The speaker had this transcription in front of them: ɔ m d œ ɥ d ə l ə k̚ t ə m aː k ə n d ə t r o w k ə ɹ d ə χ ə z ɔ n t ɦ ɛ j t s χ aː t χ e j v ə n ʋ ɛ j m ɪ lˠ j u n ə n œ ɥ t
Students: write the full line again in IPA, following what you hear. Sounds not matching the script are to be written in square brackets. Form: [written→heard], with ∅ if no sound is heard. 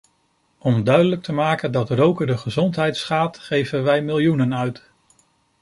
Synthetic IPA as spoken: ɔ m d œ ɥ d ə l ə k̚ t ə m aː k ə n d [ə→ɑ] t r o w k ə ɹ d ə χ ə z ɔ n t ɦ ɛ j t s χ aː t χ e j v ə n ʋ ɛ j m ɪ lˠ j u n ə n œ ɥ t